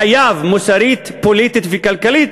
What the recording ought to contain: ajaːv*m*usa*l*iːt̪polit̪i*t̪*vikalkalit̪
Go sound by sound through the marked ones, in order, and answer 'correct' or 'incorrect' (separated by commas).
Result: correct, incorrect, correct